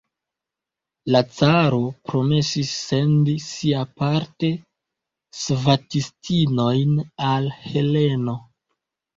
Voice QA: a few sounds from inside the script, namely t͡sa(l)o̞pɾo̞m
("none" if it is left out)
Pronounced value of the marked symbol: ɾ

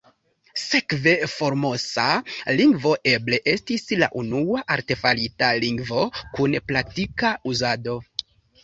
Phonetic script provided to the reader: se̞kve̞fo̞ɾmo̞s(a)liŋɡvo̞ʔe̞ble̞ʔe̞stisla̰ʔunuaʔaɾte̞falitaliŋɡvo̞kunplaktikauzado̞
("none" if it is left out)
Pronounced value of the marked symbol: a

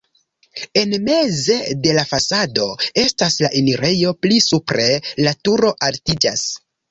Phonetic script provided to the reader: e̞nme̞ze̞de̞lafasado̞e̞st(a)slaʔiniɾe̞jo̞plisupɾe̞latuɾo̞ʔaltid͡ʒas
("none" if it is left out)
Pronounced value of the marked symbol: a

